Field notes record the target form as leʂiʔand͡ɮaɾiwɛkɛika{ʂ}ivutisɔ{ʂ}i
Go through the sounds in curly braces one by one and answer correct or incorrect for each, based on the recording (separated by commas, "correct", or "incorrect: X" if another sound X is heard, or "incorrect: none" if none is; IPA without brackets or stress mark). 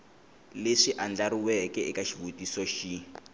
incorrect: ʃ, incorrect: ʃ